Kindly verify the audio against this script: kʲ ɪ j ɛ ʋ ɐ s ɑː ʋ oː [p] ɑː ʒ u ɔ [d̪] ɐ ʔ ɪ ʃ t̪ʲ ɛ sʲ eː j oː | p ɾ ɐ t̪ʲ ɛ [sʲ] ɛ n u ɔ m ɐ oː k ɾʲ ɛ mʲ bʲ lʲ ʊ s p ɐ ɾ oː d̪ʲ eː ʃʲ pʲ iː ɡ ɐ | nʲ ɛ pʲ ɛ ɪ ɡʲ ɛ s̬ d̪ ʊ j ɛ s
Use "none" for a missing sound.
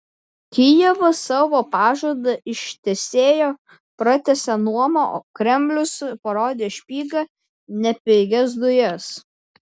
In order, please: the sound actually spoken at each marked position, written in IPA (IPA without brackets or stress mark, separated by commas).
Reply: p, d̪, sʲ